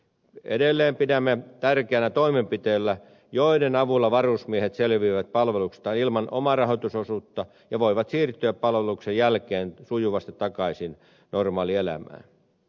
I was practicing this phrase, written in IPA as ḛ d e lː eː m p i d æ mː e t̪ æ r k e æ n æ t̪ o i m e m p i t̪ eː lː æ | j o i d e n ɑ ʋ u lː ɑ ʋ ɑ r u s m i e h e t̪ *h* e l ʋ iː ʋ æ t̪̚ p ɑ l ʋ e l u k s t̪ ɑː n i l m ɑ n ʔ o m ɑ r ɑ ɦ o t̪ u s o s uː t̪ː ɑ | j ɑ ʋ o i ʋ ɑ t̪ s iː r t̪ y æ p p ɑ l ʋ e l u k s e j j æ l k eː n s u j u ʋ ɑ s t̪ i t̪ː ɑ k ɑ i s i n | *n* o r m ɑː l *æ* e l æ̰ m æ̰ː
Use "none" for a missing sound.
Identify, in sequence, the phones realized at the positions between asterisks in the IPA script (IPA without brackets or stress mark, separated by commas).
s, n, i